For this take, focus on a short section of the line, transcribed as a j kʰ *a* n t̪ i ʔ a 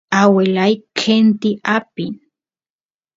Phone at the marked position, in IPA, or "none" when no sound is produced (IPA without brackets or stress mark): e